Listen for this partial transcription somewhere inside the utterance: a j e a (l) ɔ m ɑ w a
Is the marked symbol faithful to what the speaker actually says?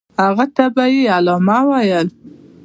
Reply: yes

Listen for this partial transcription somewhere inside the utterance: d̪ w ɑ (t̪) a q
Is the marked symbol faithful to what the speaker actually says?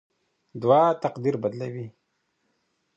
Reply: yes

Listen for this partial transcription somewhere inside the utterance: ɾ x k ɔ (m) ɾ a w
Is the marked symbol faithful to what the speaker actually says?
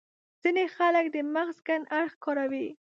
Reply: no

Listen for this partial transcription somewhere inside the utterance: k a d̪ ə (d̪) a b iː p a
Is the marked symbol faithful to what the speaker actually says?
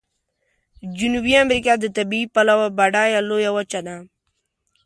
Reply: no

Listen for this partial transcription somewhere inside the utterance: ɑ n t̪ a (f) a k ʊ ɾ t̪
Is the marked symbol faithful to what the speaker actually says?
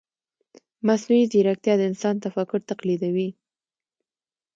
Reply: yes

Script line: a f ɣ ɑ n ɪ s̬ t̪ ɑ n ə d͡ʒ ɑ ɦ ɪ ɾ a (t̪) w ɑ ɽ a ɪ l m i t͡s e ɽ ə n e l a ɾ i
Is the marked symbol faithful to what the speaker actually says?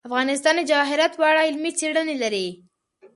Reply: yes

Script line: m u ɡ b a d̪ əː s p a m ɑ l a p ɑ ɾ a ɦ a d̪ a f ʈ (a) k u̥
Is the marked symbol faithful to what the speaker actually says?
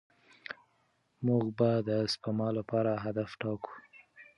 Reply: no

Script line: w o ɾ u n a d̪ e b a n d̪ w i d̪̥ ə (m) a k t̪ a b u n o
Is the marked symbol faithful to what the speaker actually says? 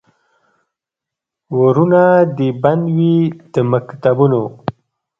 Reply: yes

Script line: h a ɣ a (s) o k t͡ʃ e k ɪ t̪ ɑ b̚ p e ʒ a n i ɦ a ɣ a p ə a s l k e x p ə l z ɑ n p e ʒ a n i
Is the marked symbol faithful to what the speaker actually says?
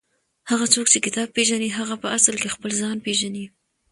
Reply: no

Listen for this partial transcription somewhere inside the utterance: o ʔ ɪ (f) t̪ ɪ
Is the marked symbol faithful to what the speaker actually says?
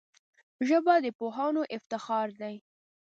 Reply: yes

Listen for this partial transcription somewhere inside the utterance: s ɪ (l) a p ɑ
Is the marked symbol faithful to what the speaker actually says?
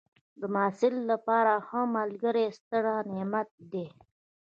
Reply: no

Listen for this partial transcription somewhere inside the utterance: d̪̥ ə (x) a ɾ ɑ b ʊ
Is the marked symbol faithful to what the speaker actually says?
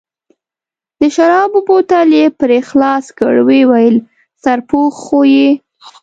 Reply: no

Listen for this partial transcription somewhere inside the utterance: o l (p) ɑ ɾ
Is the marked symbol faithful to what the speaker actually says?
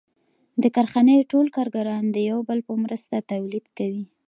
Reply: no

